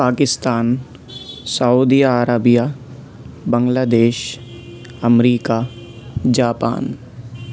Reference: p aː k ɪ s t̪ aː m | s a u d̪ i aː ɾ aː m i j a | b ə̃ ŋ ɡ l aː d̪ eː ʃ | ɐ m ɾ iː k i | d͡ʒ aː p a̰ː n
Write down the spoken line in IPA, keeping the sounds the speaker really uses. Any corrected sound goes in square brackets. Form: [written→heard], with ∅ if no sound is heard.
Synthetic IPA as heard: p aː k ɪ s t̪ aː [m→n] | s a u d̪ i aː ɾ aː [m→b] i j a | b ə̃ ŋ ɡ l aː d̪ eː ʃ | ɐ m ɾ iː k [i→a] | d͡ʒ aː p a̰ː n